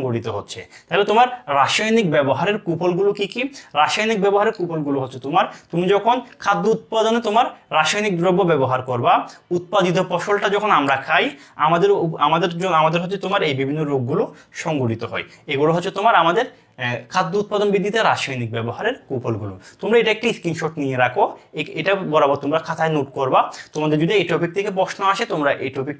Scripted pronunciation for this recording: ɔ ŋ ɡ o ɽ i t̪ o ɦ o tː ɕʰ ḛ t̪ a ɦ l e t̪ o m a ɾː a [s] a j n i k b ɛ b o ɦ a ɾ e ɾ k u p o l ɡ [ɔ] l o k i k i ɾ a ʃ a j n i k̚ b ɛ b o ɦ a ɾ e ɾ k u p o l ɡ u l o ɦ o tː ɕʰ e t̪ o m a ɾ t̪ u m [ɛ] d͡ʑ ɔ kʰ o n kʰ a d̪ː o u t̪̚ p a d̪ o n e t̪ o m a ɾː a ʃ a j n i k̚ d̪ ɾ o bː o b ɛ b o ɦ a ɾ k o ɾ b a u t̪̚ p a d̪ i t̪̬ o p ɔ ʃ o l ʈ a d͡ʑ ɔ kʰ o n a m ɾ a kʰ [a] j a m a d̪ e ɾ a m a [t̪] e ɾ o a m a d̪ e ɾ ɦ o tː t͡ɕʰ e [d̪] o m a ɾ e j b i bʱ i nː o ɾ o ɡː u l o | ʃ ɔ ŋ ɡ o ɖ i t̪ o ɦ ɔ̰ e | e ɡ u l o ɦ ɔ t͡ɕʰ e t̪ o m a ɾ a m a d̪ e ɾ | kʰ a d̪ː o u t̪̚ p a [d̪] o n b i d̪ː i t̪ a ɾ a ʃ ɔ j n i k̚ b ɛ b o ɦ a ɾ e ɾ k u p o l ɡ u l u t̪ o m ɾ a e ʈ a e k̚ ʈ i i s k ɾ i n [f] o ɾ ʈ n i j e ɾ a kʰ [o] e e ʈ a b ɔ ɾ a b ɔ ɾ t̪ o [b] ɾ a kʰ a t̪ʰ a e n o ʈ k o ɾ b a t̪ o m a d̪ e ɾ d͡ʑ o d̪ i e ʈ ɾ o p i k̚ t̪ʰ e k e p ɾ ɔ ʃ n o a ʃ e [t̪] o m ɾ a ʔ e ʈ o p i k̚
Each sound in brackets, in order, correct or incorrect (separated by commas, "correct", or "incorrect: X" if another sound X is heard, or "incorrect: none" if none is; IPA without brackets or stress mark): incorrect: ʃ, incorrect: u, incorrect: i, correct, incorrect: d̪, incorrect: t̪, correct, incorrect: ʃ, correct, incorrect: m, correct